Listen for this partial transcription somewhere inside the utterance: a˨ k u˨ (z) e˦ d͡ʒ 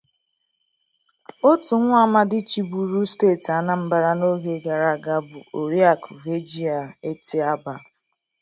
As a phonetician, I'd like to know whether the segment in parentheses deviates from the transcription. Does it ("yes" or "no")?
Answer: yes